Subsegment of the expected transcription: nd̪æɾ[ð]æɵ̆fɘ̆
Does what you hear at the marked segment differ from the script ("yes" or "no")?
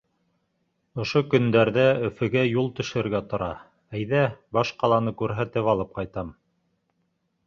no